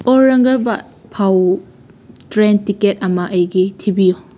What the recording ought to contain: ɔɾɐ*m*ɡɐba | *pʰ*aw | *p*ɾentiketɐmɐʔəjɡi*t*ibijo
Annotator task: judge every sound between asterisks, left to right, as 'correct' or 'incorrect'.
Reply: incorrect, correct, incorrect, incorrect

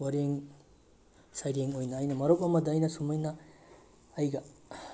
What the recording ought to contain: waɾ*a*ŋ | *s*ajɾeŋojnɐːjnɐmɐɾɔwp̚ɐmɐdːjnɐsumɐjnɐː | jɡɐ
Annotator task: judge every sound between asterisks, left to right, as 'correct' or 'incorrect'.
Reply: incorrect, correct

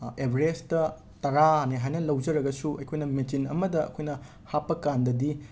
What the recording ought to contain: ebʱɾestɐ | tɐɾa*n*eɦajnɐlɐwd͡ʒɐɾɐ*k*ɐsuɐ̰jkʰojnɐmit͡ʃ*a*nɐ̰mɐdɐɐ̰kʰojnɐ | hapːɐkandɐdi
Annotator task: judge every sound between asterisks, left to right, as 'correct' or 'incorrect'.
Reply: correct, incorrect, incorrect

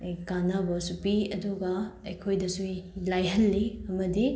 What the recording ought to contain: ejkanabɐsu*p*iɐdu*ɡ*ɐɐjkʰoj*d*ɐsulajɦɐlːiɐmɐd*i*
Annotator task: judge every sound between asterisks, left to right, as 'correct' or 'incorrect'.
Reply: correct, correct, correct, correct

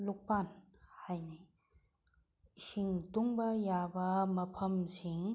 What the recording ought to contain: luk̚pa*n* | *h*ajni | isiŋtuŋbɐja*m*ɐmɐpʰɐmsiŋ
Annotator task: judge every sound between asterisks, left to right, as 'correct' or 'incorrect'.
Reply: correct, correct, incorrect

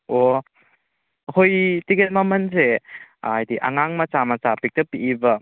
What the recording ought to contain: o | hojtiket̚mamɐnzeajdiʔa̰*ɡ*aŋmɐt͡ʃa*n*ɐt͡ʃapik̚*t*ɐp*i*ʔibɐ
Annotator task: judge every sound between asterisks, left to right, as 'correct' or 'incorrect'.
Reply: incorrect, incorrect, correct, correct

